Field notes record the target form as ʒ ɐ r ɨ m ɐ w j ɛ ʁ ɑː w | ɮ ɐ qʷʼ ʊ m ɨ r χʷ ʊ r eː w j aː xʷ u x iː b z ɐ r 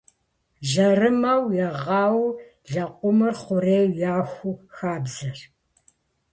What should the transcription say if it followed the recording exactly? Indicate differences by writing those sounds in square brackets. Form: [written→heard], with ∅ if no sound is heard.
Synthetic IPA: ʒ ɐ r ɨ m ɐ w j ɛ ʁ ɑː w | ɮ ɐ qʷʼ ʊ m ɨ r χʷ ʊ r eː w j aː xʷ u x [iː→aː] b z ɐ r